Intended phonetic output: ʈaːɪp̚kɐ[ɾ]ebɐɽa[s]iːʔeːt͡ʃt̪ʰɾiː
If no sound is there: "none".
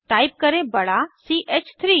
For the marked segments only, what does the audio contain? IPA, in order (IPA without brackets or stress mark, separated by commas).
ɾ, s